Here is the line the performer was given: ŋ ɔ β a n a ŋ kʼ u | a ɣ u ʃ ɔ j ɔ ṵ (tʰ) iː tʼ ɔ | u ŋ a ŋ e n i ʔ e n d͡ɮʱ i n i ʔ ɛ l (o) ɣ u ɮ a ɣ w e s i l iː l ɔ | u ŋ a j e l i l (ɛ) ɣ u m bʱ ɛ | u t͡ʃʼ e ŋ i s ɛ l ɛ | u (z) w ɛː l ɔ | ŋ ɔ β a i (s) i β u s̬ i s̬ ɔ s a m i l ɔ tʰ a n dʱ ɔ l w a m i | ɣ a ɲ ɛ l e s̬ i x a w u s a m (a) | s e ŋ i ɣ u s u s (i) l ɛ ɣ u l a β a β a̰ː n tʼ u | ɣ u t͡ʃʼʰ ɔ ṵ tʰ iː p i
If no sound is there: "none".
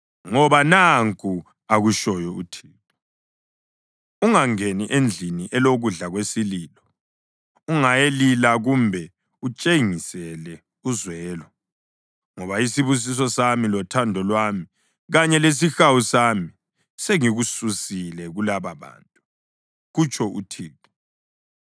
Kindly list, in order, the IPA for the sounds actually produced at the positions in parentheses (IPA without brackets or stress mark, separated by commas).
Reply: tʰ, o, a, z, s, i, i